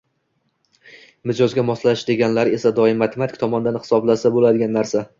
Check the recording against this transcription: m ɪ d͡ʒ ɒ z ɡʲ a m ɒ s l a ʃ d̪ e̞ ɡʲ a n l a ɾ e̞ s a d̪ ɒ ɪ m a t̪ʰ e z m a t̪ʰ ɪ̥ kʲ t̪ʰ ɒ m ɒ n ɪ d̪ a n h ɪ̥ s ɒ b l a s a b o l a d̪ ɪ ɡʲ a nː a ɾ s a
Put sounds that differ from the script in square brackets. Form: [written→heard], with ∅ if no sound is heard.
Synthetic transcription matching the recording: m ɪ d͡ʒ ɒ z ɡʲ a m ɒ s l a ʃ d̪ e̞ ɡʲ a n l a ɾ e̞ s a d̪ ɒ ɪ m a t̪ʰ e [z→∅] m a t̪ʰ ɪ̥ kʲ t̪ʰ ɒ m ɒ n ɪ d̪ a n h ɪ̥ s ɒ b l a s a b o l a d̪ ɪ ɡʲ a nː a ɾ s a